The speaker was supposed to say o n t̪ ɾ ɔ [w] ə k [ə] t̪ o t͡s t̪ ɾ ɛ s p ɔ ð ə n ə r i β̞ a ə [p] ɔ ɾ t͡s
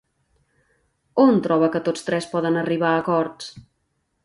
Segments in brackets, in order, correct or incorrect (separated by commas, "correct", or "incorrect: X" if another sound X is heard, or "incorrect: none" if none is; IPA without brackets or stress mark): incorrect: β, correct, incorrect: k